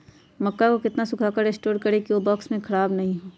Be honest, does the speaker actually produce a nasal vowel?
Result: yes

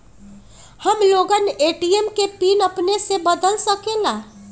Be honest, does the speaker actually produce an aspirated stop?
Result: no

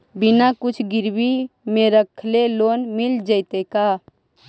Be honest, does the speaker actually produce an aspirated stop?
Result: yes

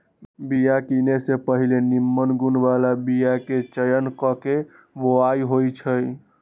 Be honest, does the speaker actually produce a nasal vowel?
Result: no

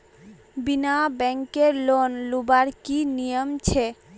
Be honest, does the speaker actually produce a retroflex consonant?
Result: no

